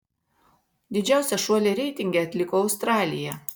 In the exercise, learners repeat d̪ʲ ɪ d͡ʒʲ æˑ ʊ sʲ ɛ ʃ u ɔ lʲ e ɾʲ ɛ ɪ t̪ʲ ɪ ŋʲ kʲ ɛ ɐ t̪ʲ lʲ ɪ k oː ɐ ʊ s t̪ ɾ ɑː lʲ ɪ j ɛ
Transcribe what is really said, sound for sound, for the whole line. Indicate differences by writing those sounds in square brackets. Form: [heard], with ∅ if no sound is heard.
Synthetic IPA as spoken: d̪ʲ ɪ d͡ʒʲ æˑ ʊ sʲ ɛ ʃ u ɔ lʲ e ɾʲ ɛ ɪ t̪ʲ ɪ ŋʲ [ɡʲ] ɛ ɐ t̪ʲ lʲ ɪ k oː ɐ ʊ s t̪ ɾ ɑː lʲ ɪ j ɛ